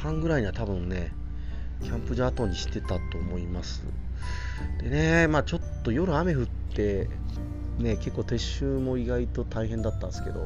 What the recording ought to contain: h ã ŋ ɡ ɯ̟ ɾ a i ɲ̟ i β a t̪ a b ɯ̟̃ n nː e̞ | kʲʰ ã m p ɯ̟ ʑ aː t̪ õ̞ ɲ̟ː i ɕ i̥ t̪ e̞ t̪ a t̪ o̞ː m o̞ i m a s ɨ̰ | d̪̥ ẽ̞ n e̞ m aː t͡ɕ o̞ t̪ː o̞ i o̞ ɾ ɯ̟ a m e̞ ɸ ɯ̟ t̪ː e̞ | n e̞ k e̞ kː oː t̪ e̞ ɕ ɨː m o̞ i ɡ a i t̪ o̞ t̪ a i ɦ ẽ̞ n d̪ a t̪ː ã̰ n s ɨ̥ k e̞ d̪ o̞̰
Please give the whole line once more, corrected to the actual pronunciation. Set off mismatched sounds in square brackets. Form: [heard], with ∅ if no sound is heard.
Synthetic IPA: h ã ŋ ɡ ɯ̟ ɾ a i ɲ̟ i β a t̪ a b ɯ̟̃ n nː e̞ | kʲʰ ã m p ɯ̟ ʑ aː t̪ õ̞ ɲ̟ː i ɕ i̥ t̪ e̞ t̪ a t̪ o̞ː m o̞ i m a s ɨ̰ | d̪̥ [e̞] n e̞ m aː t͡ɕ o̞ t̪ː o̞ [j] o̞ ɾ ɯ̟ a m e̞ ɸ ɯ̟ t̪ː e̞ | n e̞ k e̞ kː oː t̪ e̞ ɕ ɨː m o̞ i ɡ a i t̪ o̞ t̪ a i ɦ ẽ̞ n d̪ a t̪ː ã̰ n s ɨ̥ k e̞ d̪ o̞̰